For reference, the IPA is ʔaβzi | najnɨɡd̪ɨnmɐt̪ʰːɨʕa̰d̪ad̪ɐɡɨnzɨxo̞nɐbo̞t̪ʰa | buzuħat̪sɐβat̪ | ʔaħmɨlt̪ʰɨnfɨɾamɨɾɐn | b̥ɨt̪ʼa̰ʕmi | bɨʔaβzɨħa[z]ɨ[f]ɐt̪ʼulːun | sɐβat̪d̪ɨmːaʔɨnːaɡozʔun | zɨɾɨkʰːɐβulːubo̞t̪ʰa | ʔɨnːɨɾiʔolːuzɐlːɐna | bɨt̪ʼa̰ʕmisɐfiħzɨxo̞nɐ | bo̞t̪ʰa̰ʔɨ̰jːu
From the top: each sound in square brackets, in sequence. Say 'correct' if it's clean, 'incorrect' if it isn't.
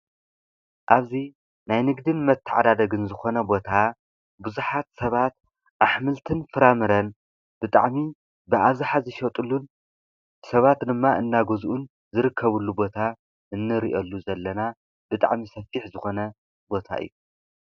correct, incorrect

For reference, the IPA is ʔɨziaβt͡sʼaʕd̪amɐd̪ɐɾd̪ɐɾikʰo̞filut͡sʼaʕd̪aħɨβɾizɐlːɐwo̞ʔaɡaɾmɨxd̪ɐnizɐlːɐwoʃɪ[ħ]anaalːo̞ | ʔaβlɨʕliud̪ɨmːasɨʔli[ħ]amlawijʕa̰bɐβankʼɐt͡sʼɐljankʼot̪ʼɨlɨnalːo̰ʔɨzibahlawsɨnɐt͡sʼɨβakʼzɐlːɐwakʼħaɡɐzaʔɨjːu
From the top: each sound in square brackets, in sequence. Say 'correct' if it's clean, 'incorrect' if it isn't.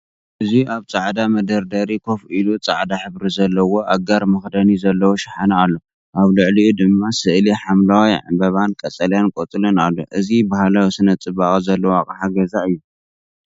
correct, correct

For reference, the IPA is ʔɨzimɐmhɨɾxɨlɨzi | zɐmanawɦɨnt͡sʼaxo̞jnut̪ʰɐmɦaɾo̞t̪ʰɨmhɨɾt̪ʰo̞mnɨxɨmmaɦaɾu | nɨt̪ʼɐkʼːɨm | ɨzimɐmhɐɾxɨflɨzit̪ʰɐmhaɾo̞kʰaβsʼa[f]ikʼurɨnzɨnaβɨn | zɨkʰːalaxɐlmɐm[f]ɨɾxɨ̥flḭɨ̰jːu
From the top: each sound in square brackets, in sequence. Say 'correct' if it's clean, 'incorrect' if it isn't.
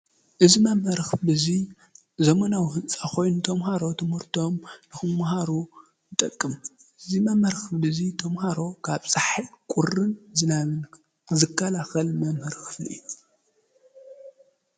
incorrect, incorrect

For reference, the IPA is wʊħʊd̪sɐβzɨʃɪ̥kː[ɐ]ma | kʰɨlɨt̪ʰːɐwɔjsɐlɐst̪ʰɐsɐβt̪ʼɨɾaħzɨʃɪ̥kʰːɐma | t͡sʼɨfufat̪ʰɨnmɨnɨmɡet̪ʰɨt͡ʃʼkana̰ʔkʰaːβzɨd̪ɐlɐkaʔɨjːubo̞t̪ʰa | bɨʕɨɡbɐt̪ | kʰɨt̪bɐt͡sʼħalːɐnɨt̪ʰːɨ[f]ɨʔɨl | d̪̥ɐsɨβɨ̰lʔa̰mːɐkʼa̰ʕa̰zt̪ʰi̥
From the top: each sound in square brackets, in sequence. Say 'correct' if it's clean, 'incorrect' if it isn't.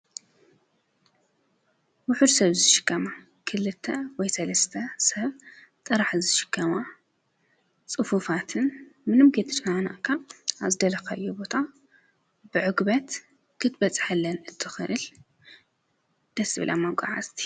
correct, incorrect

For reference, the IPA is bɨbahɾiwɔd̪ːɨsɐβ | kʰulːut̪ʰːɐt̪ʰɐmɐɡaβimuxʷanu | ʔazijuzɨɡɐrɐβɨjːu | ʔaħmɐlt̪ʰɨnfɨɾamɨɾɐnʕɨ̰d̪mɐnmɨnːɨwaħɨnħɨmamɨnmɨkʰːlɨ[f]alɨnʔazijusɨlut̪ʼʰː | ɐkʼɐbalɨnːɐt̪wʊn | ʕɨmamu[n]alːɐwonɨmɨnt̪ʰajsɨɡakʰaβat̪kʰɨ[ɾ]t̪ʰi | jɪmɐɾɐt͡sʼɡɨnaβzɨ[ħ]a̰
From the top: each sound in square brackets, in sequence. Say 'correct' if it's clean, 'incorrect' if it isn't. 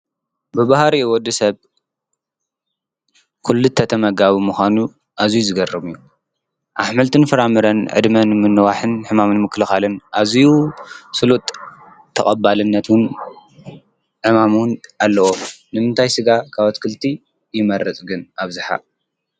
incorrect, correct, incorrect, correct

